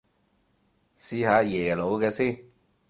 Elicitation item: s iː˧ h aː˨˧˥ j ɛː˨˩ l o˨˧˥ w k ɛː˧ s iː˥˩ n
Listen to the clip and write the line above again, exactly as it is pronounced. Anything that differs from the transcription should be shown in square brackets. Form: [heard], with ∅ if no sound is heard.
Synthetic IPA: s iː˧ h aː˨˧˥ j ɛː˨˩ l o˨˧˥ w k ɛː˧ s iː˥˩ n